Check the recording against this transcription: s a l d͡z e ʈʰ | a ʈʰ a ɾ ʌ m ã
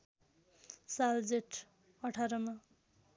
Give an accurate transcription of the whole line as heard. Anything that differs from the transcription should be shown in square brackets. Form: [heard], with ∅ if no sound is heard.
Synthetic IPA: s a l d͡z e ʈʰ | [ʌ] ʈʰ a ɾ ʌ m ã